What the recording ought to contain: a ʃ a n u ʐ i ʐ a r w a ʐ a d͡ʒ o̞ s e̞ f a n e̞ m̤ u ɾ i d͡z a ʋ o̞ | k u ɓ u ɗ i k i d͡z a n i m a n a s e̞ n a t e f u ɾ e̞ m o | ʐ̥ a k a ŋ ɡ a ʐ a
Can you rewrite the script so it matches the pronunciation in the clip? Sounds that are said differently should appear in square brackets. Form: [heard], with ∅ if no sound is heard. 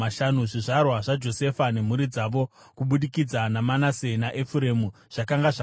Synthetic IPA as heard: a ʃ a n u ʐ i ʐ a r w a ʐ a d͡ʒ o̞ s e̞ f a n e̞ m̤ u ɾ i d͡z a ʋ o̞ | k u ɓ u ɗ i k i d͡z a n [a] m a n a s e̞ n a [ʔ] e f u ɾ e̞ m [u] | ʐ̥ a k a ŋ ɡ a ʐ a